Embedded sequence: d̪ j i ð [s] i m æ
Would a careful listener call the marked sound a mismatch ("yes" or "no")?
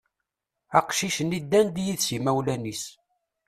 no